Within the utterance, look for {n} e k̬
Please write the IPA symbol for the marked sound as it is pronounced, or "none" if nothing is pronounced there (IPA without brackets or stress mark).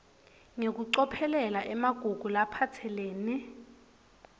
ŋ